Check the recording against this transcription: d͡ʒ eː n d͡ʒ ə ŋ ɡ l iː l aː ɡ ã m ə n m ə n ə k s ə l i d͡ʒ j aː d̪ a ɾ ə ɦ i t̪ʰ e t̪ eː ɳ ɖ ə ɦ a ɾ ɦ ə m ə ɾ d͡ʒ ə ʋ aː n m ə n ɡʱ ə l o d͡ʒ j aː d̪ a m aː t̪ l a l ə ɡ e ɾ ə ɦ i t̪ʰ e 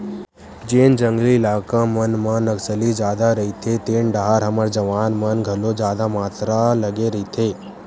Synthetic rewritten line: d͡ʒ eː n d͡ʒ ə ŋ ɡ l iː l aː k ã m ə n m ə n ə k s ə l i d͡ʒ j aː d̪ a ɾ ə ɦ i t̪ʰ e t̪ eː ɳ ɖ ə ɦ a ɾ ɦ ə m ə ɾ d͡ʒ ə ʋ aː n m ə n ɡʱ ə l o d͡ʒ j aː d̪ a m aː t̪ ɾ a l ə ɡ e ɾ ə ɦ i t̪ʰ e